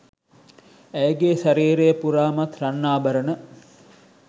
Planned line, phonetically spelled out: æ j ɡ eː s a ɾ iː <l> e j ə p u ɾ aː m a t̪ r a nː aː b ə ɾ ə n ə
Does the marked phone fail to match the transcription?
yes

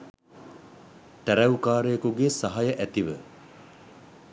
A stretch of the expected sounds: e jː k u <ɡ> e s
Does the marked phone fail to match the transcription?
no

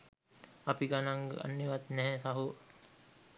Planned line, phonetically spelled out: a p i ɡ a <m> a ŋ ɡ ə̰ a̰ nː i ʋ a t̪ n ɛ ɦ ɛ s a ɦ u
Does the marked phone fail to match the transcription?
yes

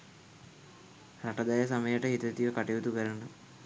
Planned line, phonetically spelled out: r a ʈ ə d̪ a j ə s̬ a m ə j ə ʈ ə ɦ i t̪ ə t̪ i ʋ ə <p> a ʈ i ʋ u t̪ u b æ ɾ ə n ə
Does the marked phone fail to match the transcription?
yes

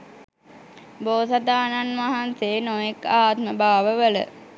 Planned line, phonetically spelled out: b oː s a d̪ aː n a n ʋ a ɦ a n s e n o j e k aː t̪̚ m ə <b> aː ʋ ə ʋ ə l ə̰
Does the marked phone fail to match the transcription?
no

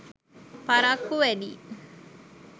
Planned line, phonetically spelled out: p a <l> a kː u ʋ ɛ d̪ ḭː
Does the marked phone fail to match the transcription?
yes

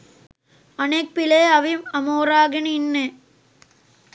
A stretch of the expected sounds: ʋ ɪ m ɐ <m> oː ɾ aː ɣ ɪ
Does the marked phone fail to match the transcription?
no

